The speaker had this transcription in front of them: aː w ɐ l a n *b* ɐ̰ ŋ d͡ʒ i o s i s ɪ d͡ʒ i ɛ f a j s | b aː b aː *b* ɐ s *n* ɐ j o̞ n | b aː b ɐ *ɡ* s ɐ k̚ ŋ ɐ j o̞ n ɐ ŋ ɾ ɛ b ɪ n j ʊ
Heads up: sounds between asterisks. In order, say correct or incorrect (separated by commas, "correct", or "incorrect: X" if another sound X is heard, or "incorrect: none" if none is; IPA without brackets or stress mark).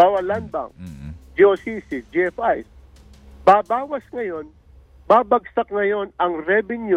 correct, incorrect: w, incorrect: ŋ, correct